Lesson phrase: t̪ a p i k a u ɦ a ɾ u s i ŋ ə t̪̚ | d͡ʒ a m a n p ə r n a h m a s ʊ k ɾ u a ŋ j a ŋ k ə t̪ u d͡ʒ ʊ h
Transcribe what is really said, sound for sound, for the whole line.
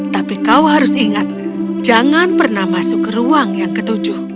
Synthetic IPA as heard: t̪ a p i k a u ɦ a ɾ ʊ s i ŋ a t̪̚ | d͡ʒ a ŋ a n p ə r n a h m a s ʊ k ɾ u a ŋ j a ŋ k ə t̪ u d͡ʒ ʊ h